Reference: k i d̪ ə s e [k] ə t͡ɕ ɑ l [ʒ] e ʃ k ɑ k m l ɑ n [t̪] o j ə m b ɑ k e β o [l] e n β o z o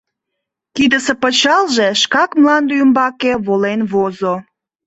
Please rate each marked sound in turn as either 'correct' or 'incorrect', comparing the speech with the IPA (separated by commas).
incorrect, correct, incorrect, correct